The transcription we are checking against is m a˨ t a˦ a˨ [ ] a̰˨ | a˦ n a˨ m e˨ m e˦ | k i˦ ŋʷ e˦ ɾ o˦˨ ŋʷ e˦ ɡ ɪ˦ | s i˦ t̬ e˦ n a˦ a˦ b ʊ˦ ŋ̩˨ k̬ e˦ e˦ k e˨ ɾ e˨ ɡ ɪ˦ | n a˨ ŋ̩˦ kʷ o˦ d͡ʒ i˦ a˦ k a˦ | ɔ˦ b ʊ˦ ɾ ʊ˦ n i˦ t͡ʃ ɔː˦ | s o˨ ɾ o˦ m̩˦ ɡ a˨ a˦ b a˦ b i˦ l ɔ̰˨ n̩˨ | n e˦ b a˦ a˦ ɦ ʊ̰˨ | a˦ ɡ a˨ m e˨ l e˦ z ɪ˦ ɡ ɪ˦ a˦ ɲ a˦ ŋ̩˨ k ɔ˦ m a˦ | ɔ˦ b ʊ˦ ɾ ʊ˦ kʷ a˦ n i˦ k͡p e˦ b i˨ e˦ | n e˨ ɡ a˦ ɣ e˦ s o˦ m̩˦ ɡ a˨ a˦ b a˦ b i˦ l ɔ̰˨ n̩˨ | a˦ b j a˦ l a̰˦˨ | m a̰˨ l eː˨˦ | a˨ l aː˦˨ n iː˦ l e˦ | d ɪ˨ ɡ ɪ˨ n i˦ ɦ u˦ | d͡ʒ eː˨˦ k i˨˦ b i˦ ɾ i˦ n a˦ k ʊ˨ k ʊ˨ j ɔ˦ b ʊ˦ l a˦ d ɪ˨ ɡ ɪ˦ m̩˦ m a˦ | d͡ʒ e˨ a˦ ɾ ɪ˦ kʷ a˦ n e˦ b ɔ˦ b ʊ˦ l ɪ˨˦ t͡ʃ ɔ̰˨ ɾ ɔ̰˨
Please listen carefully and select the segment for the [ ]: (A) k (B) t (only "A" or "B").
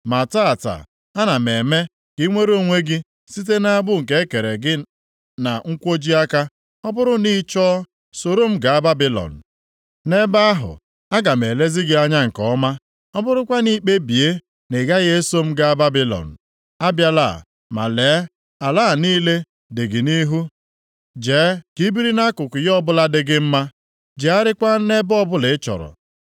B